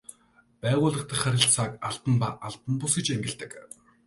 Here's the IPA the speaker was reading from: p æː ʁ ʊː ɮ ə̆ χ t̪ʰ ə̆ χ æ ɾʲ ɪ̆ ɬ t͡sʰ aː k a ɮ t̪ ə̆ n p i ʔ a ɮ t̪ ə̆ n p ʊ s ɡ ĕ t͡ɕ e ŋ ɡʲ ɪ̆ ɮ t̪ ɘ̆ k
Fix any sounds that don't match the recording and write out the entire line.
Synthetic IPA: p æː ʁ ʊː ɮ ə̆ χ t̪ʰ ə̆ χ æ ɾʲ ɪ̆ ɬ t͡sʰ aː k a ɮ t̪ ə̆ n p a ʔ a ɮ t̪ ə̆ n p ʊ s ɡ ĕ t͡ɕ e ŋ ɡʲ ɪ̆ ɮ t̪ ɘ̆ k